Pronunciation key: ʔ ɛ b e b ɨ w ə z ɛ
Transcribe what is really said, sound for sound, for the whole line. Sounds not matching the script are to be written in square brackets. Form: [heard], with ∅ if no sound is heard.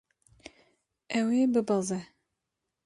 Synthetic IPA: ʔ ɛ [w] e b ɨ [b] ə z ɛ